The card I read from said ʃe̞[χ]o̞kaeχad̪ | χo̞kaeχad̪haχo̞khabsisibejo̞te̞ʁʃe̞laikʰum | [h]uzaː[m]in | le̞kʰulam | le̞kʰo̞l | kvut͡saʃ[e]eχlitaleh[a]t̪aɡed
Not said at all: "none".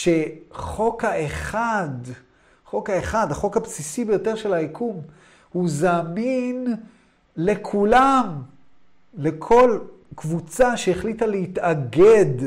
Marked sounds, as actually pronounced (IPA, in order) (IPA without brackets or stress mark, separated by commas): χ, h, m, e, i